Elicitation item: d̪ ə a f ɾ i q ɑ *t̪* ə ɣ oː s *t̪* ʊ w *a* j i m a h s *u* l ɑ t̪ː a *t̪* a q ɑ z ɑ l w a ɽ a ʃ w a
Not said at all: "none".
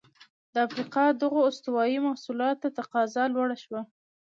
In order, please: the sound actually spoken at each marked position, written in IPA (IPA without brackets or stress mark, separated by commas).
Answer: d̪, t̪, ɑ, u, t̪